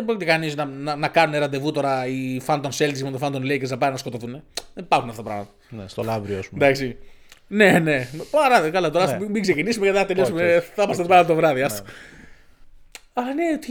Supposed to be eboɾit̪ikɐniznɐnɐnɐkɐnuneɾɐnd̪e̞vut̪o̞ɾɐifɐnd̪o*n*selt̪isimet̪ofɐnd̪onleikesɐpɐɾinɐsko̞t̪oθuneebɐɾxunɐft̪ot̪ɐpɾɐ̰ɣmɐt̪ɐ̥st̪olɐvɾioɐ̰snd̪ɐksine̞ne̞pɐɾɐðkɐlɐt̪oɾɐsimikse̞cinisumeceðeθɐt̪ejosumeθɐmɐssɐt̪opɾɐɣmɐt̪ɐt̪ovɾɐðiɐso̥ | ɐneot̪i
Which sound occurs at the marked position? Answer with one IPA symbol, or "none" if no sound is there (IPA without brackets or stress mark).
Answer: n